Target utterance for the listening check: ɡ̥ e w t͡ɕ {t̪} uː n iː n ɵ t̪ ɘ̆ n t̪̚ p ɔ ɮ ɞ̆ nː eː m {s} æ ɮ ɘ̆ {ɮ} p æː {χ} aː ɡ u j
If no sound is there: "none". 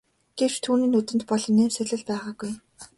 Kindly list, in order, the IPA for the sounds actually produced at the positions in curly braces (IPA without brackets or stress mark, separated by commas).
t̪ʰ, s, ɮ, ʁ